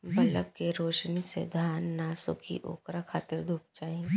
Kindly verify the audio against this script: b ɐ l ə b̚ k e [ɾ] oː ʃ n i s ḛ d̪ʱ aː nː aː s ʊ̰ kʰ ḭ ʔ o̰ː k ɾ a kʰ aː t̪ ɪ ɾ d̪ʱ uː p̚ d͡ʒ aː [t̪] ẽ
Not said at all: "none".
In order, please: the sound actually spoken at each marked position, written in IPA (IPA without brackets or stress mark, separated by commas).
ɾ, none